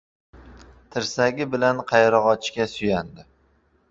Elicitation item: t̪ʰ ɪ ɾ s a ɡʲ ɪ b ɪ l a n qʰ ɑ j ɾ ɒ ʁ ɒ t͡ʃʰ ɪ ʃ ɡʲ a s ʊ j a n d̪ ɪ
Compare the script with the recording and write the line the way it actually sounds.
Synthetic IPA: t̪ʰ ɪ ɾ s a ɡʲ ɪ b ɪ l a n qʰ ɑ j ɾ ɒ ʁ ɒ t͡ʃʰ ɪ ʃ kʲ a s ʊ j a n d̪ ɪ